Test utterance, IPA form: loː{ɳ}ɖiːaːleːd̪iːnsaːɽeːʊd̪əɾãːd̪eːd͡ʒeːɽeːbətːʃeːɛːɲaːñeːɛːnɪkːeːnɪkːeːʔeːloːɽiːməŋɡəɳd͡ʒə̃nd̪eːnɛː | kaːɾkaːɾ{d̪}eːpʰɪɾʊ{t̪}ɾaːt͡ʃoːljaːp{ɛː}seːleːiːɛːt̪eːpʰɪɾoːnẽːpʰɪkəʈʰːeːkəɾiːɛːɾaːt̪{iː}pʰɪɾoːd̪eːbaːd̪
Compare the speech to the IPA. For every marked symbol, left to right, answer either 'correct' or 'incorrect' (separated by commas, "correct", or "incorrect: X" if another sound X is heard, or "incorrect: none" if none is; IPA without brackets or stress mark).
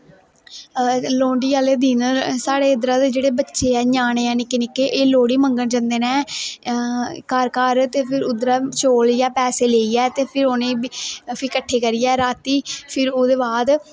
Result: correct, incorrect: t̪, incorrect: d̪, correct, correct